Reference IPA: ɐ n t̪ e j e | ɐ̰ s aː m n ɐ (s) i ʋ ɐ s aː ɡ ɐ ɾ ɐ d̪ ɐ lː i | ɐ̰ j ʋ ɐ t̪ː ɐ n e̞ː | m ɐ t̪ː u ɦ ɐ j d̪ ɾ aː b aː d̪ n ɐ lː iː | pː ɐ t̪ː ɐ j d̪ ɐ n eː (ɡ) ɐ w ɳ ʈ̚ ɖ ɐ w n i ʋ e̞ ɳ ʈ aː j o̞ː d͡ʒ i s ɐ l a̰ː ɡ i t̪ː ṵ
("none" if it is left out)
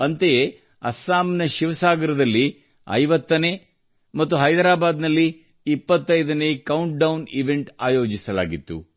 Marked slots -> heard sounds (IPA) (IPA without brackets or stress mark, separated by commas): ʃ, k